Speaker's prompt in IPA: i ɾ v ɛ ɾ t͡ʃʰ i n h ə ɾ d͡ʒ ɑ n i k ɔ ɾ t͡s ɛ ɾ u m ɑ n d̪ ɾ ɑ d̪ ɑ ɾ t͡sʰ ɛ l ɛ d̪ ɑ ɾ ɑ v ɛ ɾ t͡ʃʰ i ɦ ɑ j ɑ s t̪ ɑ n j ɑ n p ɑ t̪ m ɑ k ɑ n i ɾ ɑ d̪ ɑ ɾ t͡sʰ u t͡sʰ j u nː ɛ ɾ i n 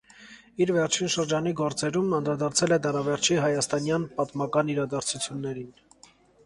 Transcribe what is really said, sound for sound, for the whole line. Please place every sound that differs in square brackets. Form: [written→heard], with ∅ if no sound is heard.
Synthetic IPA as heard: i ɾ v ɛ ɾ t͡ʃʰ i n [h→ʃ] ə ɾ d͡ʒ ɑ n i [k→ɡ] ɔ ɾ t͡s ɛ ɾ u m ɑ n d̪ ɾ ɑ d̪ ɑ ɾ t͡sʰ ɛ l ɛ d̪ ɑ ɾ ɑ v ɛ ɾ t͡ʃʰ i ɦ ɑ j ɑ s t̪ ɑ n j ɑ n p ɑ t̪ m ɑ k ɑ n i ɾ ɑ d̪ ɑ ɾ t͡sʰ u t͡sʰ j u nː ɛ ɾ i n